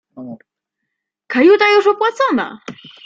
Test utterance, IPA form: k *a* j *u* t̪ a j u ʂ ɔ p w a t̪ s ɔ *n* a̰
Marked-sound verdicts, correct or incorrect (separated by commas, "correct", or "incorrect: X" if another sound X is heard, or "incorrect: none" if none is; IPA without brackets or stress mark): correct, correct, correct